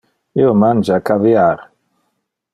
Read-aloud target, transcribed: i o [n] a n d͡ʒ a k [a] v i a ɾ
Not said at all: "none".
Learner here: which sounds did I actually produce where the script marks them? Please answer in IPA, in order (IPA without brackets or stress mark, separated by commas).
m, a